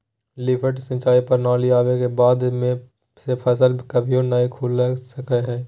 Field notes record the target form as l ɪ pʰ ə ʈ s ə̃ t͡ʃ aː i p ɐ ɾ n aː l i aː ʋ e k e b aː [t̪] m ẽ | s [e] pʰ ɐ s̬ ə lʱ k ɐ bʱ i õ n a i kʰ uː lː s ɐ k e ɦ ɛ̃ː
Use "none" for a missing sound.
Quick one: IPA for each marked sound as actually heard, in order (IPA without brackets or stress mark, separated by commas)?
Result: d̪, e